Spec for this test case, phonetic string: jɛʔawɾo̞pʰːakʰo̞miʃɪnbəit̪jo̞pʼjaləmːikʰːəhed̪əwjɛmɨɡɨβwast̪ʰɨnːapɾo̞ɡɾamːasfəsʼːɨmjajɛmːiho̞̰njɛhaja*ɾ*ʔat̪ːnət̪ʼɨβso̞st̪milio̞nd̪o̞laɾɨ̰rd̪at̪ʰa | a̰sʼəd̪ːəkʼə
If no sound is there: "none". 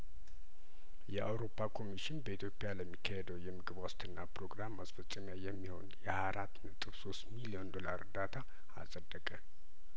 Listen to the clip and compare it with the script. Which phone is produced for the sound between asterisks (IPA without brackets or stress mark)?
ɾ